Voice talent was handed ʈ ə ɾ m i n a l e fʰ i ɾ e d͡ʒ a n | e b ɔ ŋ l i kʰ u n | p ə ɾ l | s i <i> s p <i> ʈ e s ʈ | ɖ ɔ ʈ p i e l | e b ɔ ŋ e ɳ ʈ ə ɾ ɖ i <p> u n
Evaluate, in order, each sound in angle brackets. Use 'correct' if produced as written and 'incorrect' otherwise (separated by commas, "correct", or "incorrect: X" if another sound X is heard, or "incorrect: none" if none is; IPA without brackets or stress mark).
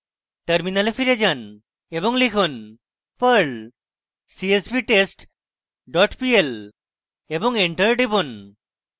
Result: incorrect: e, correct, incorrect: b